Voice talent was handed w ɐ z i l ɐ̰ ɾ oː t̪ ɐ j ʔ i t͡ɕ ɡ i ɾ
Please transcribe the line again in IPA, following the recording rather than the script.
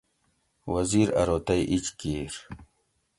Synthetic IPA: w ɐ z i ɾ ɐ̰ ɾ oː t̪ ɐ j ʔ i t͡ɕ k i ɾ